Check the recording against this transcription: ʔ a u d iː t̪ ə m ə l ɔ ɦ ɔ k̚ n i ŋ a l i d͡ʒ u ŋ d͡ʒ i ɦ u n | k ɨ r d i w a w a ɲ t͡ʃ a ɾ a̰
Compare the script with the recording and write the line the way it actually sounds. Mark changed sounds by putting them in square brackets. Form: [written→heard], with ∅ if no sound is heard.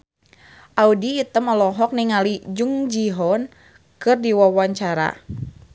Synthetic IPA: ʔ a u d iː t̪ ə m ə l ɔ ɦ ɔ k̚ n i ŋ a l i d͡ʒ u ŋ d͡ʒ i ɦ [u→ɔ] n | k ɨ r d i w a w a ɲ t͡ʃ a ɾ a̰